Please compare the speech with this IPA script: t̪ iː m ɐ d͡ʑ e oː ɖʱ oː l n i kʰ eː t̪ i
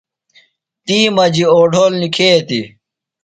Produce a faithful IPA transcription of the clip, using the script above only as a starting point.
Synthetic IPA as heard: t̪ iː m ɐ d͡ʑ i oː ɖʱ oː l n i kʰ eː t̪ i